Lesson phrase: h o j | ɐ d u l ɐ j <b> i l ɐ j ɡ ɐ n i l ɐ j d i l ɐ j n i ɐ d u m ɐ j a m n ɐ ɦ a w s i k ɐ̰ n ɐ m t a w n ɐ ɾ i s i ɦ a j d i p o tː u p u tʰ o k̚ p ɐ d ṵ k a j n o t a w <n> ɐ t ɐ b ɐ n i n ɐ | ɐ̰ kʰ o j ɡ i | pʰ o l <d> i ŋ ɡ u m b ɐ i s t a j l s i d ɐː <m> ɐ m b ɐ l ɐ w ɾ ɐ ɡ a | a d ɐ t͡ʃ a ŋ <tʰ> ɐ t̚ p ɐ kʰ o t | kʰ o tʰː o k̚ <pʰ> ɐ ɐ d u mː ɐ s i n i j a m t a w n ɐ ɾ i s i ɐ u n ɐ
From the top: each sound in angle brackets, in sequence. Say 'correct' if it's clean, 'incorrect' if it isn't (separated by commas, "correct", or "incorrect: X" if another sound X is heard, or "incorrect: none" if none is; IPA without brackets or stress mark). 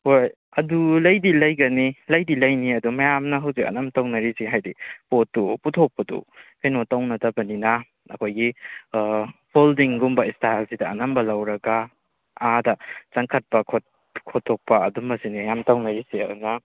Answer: incorrect: d, correct, correct, incorrect: n, incorrect: kʰ, incorrect: p